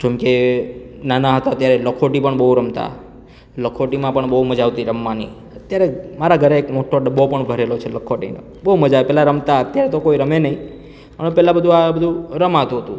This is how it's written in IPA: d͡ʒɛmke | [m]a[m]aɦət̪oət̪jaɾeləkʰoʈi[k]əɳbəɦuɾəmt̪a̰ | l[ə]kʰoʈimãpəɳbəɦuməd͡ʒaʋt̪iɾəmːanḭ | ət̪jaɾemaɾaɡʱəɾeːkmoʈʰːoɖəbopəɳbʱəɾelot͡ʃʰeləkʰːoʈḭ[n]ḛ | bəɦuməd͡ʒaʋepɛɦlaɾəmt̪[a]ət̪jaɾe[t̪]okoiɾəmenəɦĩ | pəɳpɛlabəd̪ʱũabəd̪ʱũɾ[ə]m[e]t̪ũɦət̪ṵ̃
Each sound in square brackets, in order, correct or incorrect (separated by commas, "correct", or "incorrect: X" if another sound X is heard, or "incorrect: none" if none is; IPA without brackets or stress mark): incorrect: n, incorrect: n, incorrect: p, correct, correct, correct, correct, correct, incorrect: a